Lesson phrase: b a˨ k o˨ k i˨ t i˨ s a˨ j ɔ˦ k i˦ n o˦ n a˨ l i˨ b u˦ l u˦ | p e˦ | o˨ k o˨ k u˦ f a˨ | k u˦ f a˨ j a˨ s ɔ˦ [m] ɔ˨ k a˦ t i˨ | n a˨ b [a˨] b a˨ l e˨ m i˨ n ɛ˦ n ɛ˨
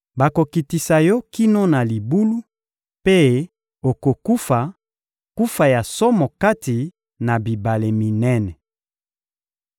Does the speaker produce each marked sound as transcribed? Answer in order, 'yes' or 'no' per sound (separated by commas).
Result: yes, no